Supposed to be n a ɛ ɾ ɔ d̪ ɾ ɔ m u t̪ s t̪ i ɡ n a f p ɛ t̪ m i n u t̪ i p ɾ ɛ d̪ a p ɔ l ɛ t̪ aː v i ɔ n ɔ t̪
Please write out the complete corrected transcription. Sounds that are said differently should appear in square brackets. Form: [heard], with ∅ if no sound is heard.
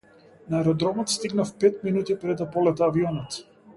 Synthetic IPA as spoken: n a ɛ ɾ ɔ d̪ ɾ ɔ m [ɔ] t̪ s t̪ i ɡ n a f p ɛ t̪ m i n u t̪ i p ɾ ɛ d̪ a p ɔ l ɛ t̪ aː v i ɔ n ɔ t̪